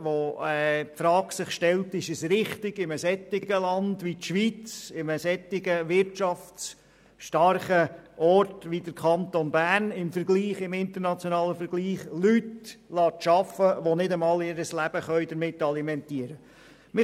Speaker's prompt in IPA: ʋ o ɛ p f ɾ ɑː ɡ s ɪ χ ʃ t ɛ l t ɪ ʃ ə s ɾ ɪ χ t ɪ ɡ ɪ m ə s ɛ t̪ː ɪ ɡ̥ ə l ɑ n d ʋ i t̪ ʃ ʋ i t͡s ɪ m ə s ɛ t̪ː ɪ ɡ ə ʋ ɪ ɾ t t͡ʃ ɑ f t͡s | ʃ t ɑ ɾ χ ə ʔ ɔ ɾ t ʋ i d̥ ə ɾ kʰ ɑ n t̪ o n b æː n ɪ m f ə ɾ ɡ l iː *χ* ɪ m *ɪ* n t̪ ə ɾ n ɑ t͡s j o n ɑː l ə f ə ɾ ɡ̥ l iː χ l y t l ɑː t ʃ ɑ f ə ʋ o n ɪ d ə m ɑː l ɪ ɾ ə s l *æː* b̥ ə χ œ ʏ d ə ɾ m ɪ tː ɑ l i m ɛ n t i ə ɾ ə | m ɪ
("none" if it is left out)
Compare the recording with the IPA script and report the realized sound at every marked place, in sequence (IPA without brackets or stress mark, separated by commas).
χ, ɪ, æ